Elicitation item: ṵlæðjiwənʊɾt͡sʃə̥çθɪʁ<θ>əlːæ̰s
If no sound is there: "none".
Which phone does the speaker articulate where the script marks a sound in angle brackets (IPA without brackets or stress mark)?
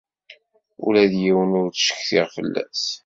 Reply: f